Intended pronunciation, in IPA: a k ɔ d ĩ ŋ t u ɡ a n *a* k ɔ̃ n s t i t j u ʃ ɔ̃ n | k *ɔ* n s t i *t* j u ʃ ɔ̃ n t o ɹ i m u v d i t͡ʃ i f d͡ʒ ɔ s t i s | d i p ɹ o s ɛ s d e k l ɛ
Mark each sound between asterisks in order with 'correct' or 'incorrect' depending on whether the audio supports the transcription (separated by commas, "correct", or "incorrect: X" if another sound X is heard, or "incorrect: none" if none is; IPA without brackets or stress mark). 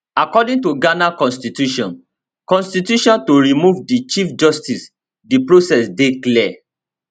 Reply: correct, incorrect: ɔ̃, correct